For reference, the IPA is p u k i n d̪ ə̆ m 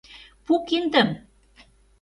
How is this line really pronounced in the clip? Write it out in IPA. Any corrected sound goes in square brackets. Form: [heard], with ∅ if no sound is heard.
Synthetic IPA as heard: p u k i n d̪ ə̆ m

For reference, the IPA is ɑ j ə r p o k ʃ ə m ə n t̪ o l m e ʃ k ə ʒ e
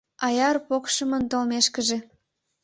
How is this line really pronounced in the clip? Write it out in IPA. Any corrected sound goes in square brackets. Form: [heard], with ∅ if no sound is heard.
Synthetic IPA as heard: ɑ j [ɑ] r p o k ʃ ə m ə n t̪ o l m e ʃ k ə ʒ e

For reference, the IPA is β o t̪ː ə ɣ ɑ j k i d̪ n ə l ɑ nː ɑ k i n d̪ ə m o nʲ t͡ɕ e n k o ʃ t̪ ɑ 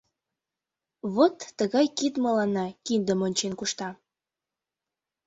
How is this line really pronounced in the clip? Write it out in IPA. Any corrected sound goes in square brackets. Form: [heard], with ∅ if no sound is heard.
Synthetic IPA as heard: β o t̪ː ə ɣ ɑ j k i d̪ [m] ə l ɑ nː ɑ k i n d̪ ə m o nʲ t͡ɕ e n k [u] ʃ t̪ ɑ

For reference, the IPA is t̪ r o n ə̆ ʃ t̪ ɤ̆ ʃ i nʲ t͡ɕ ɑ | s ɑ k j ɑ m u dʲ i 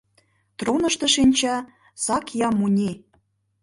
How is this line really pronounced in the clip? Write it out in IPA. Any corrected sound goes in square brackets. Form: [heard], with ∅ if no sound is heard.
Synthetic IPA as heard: t̪ r o n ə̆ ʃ t̪ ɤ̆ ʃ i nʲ t͡ɕ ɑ | s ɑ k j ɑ m u [nʲ] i

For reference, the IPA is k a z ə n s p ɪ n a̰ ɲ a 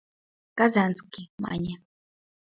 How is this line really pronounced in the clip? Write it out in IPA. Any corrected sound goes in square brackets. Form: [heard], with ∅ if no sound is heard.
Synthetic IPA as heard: k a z [a] n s [k] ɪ [m] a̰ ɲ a

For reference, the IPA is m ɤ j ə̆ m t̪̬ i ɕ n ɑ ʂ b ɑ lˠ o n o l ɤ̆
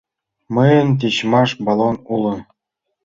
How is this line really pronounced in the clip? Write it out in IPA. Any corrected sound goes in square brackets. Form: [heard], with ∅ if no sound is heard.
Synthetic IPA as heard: m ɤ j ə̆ [n] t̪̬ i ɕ [m] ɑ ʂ b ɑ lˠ o n [u] l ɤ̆

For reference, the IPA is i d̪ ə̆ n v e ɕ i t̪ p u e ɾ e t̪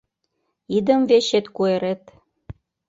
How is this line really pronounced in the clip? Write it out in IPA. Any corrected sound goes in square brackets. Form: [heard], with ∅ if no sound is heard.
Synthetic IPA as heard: i d̪ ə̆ [m] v e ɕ [e] t̪ [k] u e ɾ e t̪

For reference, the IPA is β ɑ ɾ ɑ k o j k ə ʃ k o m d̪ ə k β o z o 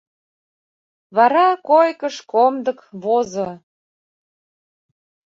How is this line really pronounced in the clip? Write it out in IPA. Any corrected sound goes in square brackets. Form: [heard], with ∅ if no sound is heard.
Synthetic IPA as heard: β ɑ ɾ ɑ k o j k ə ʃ k o m d̪ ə k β o z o

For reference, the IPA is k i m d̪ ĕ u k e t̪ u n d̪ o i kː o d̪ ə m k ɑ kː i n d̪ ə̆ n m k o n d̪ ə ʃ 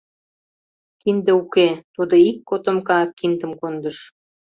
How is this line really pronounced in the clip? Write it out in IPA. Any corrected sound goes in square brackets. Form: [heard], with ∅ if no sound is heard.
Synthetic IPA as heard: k i [n] d̪ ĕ u k e t̪ u [∅] d̪ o i kː o [t̪] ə m k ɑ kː i n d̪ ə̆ [∅] m k o n d̪ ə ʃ

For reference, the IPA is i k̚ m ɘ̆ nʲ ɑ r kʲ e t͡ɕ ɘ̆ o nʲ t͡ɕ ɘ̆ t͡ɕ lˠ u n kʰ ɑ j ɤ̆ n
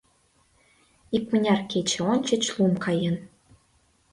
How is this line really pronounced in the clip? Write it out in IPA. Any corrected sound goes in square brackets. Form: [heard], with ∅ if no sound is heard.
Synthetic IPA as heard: i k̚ m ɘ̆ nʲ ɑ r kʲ e t͡ɕ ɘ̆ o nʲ t͡ɕ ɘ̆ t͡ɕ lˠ u [m] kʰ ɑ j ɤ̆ n

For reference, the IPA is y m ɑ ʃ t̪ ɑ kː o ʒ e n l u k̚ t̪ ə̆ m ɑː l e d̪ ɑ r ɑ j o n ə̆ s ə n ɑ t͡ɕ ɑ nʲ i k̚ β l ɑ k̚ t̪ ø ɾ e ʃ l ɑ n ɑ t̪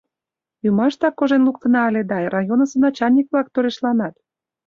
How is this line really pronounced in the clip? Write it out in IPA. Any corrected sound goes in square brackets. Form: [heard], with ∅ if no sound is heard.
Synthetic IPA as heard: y m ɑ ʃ t̪ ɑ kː o ʒ e n l u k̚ t̪ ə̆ [n] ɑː l e d̪ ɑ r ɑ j o n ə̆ s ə n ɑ t͡ɕ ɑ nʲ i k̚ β l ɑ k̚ t̪ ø ɾ e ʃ l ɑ n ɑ t̪

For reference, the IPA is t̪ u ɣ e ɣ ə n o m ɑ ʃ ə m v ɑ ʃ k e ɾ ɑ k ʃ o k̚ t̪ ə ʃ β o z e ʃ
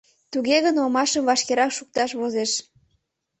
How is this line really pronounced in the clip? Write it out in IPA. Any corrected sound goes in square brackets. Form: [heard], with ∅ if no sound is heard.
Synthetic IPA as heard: t̪ u ɣ e ɣ ə n o m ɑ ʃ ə m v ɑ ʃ k e ɾ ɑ k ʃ [u] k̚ t̪ [ɑ] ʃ β o z e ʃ

